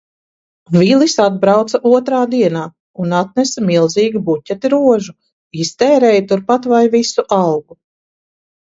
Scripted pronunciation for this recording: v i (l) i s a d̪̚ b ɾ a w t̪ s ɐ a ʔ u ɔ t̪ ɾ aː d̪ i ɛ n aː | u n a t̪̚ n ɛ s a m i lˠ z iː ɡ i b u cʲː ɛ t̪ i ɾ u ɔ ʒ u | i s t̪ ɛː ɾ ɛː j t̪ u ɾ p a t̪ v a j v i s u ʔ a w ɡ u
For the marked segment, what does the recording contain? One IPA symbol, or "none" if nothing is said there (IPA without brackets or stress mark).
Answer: l